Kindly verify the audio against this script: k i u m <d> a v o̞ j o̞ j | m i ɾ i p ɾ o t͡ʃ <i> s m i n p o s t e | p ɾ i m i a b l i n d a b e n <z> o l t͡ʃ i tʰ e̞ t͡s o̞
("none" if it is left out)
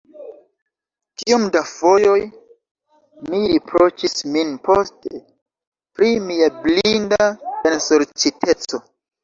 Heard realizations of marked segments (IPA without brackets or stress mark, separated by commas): d, i, s